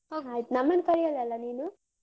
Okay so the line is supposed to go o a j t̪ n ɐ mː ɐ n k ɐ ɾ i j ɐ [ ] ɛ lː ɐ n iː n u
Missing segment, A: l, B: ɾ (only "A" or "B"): A